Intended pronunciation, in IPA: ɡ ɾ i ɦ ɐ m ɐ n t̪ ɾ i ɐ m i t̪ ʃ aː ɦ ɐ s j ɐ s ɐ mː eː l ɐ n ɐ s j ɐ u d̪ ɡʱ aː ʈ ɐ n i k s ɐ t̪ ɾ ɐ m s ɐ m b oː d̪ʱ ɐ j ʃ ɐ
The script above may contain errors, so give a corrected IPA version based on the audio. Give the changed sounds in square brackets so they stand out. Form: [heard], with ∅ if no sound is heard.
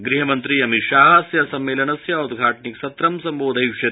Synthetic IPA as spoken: ɡ ɾ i ɦ ɐ m ɐ n t̪ ɾ i ɐ m i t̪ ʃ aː ɦ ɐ s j ɐ s ɐ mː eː l ɐ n ɐ s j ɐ u d̪ ɡʱ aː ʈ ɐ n i k s ɐ t̪ ɾ ɐ m s ɐ m b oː d̪ʱ ɐ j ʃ ɐ